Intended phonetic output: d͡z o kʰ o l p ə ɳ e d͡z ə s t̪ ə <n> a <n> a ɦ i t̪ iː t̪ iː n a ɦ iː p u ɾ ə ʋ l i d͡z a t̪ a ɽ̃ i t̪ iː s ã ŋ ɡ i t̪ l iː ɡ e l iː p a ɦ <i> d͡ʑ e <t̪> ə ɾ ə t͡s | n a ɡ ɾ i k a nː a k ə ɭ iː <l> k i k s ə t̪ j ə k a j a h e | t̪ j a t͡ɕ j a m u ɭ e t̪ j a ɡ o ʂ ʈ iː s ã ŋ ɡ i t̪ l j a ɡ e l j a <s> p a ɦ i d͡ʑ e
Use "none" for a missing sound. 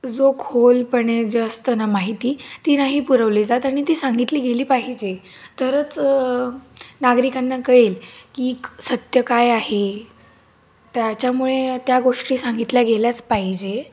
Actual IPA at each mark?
n, m, i, t̪, l, t͡s

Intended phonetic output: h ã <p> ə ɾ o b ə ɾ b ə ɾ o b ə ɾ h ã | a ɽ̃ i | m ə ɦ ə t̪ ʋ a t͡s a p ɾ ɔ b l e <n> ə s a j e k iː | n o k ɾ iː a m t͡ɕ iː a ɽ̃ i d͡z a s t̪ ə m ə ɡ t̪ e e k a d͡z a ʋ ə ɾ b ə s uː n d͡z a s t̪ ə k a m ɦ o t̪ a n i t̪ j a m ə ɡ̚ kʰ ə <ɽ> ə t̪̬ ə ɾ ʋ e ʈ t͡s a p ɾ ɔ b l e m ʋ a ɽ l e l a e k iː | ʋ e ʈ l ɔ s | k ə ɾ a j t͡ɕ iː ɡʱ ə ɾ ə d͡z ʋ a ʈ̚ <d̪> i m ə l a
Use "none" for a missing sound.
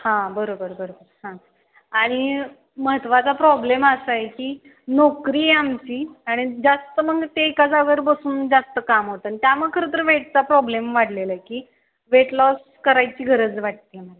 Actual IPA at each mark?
b, m, ɾ, t̪

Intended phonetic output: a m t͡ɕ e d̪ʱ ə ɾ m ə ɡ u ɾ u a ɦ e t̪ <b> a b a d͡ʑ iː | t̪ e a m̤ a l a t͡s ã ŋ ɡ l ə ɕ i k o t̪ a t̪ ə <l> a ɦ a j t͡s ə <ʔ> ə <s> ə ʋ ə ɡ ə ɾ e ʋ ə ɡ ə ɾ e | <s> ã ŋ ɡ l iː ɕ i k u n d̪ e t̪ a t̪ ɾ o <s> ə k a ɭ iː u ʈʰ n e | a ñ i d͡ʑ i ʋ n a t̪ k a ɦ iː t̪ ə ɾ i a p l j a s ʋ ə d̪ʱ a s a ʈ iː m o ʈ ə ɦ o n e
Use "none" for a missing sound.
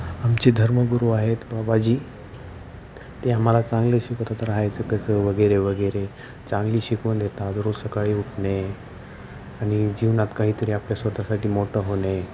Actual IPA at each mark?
b, ɾ, k, s, t͡s, s

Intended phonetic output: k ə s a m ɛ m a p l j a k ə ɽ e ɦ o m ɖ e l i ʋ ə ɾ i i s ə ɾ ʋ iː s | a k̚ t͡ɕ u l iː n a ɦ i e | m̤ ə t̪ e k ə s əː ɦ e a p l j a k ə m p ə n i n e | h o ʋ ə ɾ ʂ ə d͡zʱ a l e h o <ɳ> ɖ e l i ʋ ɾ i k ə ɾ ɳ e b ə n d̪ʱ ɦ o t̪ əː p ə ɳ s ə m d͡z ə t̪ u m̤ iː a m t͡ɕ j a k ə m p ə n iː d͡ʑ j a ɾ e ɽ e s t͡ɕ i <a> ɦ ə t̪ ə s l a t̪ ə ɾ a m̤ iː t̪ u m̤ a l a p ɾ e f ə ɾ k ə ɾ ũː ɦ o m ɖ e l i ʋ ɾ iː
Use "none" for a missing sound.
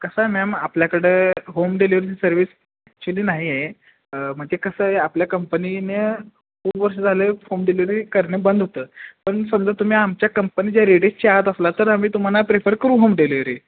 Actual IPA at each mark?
m, a

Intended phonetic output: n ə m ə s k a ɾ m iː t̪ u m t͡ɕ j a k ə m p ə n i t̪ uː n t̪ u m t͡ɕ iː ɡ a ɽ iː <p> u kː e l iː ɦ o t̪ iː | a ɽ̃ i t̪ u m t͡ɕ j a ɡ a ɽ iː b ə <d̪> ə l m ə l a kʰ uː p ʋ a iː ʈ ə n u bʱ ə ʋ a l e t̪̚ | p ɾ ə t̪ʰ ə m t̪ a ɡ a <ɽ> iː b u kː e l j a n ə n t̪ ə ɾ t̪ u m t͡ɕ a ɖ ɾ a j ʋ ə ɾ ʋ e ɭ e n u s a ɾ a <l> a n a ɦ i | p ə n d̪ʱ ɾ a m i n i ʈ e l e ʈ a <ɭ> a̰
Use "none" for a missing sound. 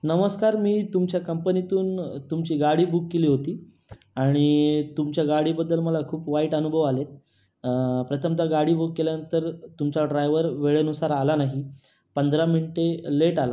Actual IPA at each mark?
b, d̪ː, ɽ, l, l

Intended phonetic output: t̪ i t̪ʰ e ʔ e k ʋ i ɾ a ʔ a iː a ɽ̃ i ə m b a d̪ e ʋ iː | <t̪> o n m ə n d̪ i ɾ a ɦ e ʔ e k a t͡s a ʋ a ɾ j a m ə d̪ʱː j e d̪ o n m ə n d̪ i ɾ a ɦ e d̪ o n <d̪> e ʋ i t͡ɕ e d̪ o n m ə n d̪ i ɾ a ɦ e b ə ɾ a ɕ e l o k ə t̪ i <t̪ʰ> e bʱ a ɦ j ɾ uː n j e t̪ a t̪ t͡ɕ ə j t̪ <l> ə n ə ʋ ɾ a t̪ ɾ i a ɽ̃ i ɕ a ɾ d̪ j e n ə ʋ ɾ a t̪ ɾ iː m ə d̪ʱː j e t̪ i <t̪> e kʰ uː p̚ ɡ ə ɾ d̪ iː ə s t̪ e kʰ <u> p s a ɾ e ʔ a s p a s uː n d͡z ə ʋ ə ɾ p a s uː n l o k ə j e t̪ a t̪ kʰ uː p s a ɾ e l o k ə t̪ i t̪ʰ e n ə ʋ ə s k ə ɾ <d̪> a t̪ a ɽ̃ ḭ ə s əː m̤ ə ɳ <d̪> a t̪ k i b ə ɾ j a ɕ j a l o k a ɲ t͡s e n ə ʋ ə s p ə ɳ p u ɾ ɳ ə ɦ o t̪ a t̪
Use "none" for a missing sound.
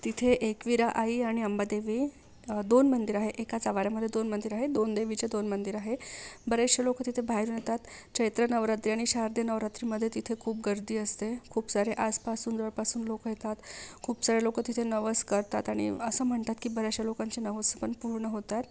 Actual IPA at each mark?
d̪, d̪, t̪ʰ, ɾ, t̪ʰ, uː, t̪, t̪

